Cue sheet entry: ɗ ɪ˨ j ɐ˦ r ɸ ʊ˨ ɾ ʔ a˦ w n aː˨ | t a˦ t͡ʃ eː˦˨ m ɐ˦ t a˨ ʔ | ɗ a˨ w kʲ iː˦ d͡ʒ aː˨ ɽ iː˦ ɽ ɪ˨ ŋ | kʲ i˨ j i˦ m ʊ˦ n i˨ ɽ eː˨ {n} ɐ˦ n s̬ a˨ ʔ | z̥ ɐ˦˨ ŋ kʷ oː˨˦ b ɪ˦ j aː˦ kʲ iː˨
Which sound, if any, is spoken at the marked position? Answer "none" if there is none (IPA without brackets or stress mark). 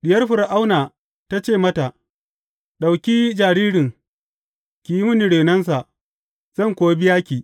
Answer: n